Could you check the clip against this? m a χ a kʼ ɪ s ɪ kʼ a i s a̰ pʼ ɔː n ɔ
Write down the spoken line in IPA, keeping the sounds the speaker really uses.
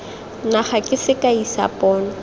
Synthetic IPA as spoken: n a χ a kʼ ɪ s ɪ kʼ a i s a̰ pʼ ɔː n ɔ